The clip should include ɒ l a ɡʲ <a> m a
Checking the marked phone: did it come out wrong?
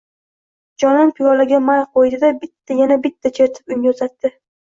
no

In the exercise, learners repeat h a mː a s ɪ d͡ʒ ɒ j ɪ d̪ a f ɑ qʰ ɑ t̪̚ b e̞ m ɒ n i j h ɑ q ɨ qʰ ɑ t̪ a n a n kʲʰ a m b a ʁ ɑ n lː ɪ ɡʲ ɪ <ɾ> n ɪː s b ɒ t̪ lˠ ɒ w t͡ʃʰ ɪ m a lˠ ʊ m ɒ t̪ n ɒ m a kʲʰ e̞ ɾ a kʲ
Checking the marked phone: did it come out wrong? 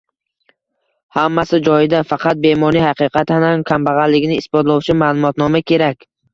yes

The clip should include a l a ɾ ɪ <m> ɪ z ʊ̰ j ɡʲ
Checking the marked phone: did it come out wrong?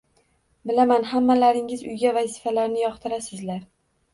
yes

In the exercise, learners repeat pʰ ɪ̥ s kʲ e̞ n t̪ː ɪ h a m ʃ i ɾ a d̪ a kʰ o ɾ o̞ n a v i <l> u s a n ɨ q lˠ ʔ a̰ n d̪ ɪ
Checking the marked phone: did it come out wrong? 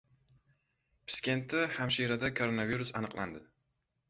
yes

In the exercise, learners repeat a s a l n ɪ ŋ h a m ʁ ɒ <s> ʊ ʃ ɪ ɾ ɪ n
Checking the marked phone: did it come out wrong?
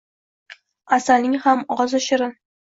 yes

